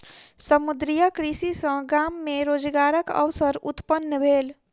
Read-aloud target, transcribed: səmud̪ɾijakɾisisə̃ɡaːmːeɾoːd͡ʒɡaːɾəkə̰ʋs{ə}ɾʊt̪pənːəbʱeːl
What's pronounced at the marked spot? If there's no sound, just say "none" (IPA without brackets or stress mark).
ə